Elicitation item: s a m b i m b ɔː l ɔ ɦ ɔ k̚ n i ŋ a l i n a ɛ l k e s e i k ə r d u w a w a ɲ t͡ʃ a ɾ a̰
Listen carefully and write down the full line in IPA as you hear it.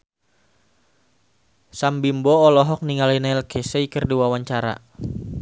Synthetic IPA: s a m b i m b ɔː l ɔ ɦ ɔ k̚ n i ŋ a l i n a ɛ l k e s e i k ə r d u w a w a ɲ t͡ʃ a ɾ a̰